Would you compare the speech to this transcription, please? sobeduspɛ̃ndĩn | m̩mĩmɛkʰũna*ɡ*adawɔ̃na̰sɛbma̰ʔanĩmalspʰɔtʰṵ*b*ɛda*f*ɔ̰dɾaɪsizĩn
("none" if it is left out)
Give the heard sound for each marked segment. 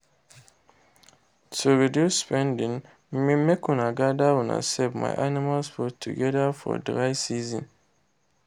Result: ɡ, ɡ, f

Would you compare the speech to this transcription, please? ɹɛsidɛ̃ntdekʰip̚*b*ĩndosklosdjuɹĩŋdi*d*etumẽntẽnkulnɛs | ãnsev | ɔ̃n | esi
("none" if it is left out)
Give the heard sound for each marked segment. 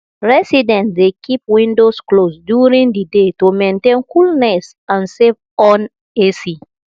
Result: w, d

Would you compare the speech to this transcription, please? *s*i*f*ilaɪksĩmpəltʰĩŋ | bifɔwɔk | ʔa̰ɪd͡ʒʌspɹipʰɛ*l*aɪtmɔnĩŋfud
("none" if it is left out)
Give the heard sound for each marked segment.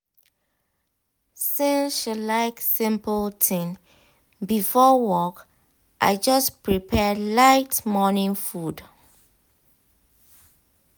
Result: s, ʃ, l

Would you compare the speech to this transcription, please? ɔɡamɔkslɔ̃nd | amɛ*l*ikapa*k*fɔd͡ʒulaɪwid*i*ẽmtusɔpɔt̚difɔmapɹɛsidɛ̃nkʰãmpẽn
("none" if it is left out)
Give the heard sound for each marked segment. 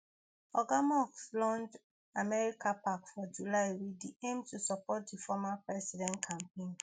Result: ɹ, k, i

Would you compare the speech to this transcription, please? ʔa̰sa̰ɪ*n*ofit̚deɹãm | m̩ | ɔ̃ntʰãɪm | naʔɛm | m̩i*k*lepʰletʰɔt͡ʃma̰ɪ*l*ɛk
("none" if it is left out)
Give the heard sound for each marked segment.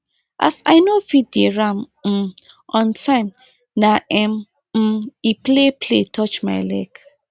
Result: n, p, l

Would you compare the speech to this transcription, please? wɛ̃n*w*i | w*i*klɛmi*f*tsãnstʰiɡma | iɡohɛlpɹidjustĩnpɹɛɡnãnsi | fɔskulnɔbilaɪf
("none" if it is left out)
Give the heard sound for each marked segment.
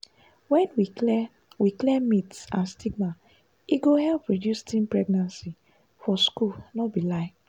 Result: w, i, none

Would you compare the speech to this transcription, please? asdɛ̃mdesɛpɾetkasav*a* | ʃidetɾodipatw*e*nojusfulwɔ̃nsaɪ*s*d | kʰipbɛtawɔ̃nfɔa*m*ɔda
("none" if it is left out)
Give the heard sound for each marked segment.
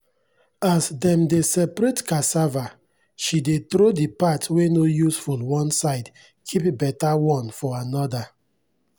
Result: a, e, none, n

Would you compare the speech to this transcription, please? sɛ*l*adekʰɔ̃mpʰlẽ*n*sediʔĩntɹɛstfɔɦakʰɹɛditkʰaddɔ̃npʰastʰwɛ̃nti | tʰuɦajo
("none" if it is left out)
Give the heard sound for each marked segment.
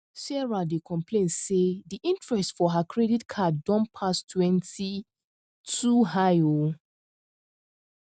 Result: ɹ, n

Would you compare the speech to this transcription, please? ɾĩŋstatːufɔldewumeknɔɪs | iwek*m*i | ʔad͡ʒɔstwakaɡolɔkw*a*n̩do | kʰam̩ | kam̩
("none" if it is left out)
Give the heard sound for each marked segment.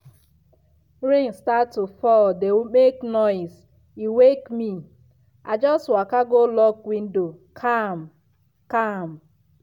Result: m, i

